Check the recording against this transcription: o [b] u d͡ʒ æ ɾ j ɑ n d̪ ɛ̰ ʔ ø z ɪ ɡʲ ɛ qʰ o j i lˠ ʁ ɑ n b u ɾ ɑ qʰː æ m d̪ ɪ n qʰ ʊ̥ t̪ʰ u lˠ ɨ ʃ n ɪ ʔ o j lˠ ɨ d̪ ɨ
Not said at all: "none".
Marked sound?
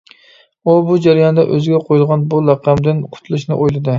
b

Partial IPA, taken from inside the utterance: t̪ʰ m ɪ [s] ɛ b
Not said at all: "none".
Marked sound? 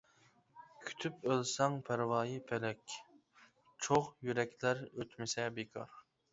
s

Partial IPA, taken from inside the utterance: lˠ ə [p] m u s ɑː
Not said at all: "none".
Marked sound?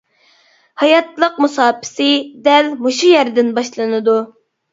q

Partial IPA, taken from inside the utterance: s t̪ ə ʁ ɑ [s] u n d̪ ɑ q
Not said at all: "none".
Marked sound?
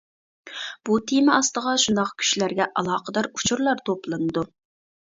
ʃ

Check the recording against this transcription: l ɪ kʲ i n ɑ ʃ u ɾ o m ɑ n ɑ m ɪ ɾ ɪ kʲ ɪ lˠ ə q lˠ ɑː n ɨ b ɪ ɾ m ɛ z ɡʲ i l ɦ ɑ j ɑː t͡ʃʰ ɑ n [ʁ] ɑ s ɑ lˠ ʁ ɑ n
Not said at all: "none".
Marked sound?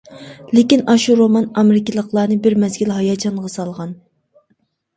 ʁ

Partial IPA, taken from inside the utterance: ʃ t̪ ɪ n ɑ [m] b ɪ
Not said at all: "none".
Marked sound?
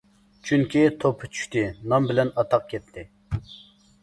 m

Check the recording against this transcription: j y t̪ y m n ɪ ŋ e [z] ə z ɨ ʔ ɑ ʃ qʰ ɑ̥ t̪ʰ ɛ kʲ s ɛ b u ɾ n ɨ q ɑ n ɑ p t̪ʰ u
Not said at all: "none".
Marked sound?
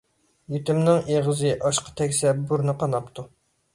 ʁ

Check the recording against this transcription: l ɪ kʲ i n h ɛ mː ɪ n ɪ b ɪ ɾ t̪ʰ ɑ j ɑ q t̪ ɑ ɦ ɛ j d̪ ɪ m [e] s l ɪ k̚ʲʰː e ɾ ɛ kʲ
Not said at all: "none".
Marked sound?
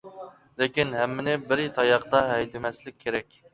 ɛ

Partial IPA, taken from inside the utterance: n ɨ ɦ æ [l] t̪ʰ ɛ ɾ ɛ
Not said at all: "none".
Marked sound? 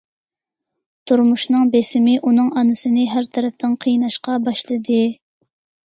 ɾ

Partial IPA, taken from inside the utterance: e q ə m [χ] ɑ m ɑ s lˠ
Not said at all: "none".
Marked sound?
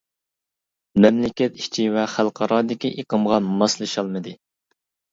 ʁ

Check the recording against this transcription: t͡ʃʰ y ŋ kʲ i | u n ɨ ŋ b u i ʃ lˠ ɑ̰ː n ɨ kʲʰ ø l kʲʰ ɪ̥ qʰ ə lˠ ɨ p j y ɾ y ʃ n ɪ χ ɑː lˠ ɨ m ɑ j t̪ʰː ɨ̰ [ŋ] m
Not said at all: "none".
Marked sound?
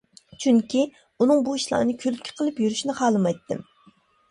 none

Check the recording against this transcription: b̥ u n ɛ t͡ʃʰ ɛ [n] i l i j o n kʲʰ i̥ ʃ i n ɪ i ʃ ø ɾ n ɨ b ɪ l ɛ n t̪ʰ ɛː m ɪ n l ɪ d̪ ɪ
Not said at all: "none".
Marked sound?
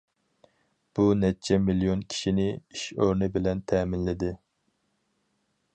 m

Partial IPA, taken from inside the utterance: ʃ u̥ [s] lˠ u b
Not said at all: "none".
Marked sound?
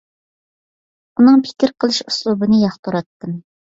s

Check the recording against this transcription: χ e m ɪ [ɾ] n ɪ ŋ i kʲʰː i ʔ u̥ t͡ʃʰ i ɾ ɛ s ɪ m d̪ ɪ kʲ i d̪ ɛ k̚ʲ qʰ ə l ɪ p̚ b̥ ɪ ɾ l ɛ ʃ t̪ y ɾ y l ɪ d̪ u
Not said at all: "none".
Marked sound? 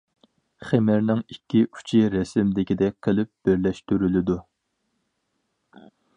ɾ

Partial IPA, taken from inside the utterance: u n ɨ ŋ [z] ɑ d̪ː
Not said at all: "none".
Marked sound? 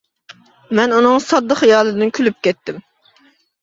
s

